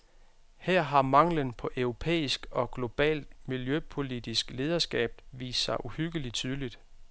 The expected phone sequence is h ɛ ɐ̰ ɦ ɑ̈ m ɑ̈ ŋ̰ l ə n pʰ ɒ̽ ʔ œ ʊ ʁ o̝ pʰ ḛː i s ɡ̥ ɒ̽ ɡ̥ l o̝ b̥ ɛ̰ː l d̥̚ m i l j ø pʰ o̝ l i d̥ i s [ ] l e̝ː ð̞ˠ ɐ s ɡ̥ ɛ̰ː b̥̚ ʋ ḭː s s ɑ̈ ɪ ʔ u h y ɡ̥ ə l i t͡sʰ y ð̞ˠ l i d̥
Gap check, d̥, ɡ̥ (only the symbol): ɡ̥